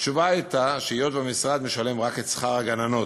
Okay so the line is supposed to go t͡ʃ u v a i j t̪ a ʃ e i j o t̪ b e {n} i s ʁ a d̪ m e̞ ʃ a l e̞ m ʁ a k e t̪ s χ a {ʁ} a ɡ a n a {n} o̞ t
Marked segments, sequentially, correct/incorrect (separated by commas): incorrect, correct, correct